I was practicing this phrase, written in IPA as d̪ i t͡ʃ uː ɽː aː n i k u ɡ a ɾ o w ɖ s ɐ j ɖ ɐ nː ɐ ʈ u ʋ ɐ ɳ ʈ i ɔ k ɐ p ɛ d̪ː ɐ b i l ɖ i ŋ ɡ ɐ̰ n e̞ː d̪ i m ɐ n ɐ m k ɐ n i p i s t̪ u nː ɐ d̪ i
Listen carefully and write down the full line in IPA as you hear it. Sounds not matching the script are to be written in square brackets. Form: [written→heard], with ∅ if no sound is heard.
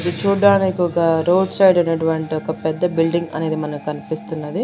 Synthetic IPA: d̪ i t͡ʃ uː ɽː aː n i k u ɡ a ɾ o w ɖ s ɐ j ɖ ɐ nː ɐ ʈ u ʋ ɐ ɳ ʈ i ɔ k ɐ p ɛ d̪ː ɐ b i l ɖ i ŋ ɡ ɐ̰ n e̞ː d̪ i m ɐ n ɐ m k ɐ n i p i s t̪ u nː ɐ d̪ i

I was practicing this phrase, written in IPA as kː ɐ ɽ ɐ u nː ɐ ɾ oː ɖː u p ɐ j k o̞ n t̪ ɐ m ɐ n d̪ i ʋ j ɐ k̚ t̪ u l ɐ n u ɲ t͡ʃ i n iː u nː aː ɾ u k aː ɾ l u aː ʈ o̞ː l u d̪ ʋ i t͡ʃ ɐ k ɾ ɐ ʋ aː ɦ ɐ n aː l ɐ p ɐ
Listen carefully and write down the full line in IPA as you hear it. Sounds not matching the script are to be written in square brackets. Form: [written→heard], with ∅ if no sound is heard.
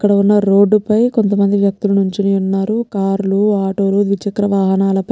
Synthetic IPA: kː ɐ ɽ ɐ u nː ɐ ɾ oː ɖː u p ɐ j k o̞ n t̪ ɐ m ɐ n d̪ i ʋ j ɐ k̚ t̪ u l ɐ n u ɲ t͡ʃ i n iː u nː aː ɾ u k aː ɾ l u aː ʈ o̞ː l u d̪ ʋ i t͡ʃ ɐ k ɾ ɐ ʋ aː ɦ ɐ n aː l ɐ p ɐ

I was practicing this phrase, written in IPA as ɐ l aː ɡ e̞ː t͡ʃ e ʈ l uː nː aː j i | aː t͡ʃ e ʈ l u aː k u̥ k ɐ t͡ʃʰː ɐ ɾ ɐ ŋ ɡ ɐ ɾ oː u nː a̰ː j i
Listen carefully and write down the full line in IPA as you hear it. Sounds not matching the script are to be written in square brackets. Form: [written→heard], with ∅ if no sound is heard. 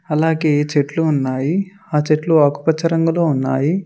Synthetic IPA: ɐ l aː ɡ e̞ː t͡ʃ e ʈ l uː nː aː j i | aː t͡ʃ e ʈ l u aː k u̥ [k→p] ɐ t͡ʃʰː ɐ ɾ ɐ ŋ ɡ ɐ [ɾ→l] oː u nː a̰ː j i

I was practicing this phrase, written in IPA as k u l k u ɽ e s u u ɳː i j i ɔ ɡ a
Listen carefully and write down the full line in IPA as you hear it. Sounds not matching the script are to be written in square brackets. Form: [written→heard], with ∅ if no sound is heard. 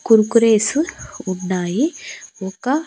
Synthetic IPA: k u [l→ɾ] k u [ɽ→ɾ] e s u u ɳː [i→a] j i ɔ [ɡ→k] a

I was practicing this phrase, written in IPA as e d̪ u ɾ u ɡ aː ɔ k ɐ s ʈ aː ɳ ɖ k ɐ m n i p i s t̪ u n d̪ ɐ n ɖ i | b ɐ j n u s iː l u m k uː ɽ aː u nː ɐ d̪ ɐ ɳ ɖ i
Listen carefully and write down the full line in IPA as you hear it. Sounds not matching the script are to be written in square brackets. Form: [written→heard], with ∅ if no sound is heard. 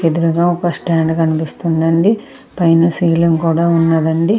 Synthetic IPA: e d̪ u ɾ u ɡ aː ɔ k ɐ s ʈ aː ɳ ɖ k ɐ [m→∅] n i p i s t̪ u n d̪ ɐ [n→ɳ] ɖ i | [b→p] ɐ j n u s iː l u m k uː ɽ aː u nː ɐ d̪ ɐ ɳ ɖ i

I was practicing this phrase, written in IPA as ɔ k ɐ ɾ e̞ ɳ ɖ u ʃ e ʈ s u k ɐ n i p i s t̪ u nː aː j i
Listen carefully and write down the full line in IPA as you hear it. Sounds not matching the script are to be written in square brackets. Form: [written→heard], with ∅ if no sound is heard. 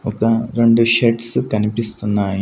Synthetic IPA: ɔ k ɐ ɾ e̞ ɳ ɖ u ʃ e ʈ s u k ɐ n i p i s t̪ u nː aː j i

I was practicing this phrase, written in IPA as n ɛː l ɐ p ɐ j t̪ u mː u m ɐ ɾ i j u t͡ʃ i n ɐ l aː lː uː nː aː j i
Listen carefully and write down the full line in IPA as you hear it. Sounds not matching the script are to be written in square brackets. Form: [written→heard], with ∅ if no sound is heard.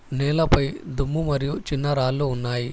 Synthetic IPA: n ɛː l ɐ p ɐ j [t̪→d̪] u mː u m ɐ ɾ i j u t͡ʃ i [n→nː] ɐ [l→ɾ] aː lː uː nː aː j i

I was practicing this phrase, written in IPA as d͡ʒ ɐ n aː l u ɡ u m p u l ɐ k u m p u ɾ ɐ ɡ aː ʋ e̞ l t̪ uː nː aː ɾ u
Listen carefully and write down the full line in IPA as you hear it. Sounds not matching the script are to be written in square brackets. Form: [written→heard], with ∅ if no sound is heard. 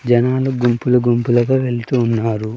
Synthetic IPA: d͡ʒ ɐ n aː l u ɡ u m p u l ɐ [k→ɡ] u m p u [ɾ→l] ɐ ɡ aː ʋ e̞ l t̪ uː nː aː ɾ u

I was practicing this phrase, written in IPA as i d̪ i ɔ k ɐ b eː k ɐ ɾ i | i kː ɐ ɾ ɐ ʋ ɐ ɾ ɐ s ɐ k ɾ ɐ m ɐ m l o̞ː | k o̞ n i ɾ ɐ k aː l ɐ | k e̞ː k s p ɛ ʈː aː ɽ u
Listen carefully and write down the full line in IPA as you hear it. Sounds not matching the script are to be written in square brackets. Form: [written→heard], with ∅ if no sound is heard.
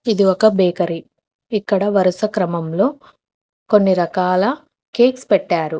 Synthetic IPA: i d̪ i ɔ k ɐ b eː k ɐ ɾ i | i kː ɐ [ɾ→ɽ] ɐ ʋ ɐ ɾ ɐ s ɐ k ɾ ɐ m ɐ m l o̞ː | k o̞ [n→nː] i ɾ ɐ k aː l ɐ | k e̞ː k s p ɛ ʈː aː [ɽ→ɾ] u

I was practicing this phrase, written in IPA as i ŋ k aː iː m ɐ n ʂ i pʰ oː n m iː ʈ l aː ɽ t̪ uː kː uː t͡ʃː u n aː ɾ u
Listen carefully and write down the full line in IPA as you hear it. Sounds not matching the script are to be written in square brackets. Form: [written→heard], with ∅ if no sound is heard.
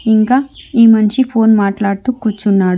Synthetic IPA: i ŋ k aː iː m ɐ n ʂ i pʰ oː n m [iː→aː] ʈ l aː ɽ t̪ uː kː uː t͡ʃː u [n→nː] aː [ɾ→ɽ] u

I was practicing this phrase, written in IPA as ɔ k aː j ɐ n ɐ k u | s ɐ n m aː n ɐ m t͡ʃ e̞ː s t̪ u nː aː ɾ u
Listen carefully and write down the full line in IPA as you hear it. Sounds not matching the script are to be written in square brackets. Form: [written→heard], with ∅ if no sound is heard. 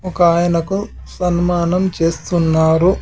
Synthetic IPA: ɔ k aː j ɐ n ɐ k u | s ɐ n m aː n ɐ m t͡ʃ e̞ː s t̪ u nː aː ɾ u

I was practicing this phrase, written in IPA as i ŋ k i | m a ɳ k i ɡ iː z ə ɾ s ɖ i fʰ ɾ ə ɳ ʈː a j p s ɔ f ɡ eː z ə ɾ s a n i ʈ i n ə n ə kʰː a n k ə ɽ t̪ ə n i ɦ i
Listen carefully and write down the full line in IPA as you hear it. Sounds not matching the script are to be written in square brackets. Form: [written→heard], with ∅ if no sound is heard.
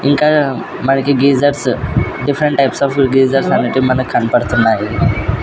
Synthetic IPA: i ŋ k [i→a] | m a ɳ k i ɡ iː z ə ɾ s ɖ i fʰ ɾ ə ɳ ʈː a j p s ɔ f ɡ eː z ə ɾ s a n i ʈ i [n→m] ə n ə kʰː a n [k→p] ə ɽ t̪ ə n [i→a] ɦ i

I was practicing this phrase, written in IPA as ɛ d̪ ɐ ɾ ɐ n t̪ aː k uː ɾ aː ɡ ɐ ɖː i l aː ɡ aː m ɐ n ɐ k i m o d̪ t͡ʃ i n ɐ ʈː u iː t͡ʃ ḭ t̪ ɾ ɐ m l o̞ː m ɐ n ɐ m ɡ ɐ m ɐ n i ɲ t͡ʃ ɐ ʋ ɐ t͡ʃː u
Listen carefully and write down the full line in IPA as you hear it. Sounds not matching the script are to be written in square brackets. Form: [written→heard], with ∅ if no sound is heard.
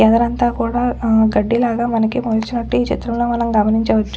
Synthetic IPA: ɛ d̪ ɐ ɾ ɐ n t̪ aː k uː [ɾ→ɽ] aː ɡ ɐ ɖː i l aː ɡ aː m ɐ n ɐ k i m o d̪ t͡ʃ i n ɐ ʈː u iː t͡ʃ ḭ t̪ ɾ ɐ m l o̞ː m ɐ n ɐ m ɡ ɐ m ɐ n i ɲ t͡ʃ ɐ ʋ ɐ t͡ʃː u

